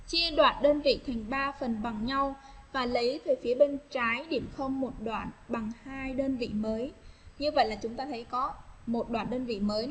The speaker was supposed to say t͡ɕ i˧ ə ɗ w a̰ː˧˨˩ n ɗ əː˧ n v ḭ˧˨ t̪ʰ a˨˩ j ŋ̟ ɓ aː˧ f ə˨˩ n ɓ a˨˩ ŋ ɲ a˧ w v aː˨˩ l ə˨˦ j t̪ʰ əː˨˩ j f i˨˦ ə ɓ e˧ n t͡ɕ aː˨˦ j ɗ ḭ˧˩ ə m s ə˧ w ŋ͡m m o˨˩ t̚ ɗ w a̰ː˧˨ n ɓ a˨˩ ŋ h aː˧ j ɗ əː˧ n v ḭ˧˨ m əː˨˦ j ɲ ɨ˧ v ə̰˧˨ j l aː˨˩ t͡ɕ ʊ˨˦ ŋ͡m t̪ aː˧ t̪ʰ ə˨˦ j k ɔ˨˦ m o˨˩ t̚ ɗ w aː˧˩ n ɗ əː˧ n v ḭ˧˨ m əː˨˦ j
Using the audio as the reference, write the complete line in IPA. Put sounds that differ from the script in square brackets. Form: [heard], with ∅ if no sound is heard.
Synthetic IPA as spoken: t͡ɕ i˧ ə ɗ w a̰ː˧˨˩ n ɗ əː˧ n v ḭ˧˨ t̪ʰ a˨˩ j ŋ̟ ɓ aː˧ f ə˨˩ n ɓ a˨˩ ŋ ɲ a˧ w v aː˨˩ l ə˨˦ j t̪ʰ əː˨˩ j f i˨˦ ə ɓ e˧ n t͡ɕ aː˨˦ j ɗ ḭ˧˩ ə m [x] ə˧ w ŋ͡m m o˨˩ t̚ ɗ w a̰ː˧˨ n ɓ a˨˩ ŋ h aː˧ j ɗ əː˧ n v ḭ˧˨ m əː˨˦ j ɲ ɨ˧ v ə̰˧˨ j l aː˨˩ t͡ɕ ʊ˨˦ ŋ͡m t̪ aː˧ t̪ʰ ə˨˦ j k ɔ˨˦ m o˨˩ t̚ ɗ w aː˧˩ n ɗ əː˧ n v ḭ˧˨ m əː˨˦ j